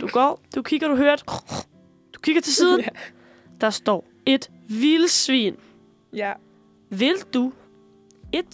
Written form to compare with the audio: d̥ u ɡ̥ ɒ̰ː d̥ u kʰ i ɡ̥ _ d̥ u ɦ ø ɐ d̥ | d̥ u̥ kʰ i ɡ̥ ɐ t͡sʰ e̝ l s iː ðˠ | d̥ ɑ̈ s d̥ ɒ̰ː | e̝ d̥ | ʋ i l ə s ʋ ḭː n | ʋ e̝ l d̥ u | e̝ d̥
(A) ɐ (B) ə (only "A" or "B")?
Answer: A